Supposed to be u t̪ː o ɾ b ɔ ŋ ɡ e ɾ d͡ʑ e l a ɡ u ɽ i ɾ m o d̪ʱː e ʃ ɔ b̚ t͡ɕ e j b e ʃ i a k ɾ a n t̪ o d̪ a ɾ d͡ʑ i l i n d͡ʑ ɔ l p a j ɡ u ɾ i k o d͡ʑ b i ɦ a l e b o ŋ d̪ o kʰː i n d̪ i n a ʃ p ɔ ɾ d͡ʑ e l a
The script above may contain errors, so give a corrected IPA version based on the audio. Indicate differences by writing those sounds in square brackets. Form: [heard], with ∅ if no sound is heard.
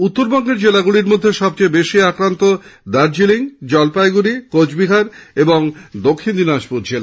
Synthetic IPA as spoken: u t̪ː o ɾ b ɔ ŋ ɡ e ɾ d͡ʑ e l a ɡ u ɽ i ɾ m o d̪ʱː e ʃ ɔ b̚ t͡ɕ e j b e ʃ i a k ɾ a n t̪ o d̪ a ɾ d͡ʑ i l i [ŋ] d͡ʑ ɔ l p a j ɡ u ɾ i k o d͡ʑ b i ɦ a [ɾ] e b o ŋ d̪ o kʰː i n d̪ i n a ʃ p [u] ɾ d͡ʑ e l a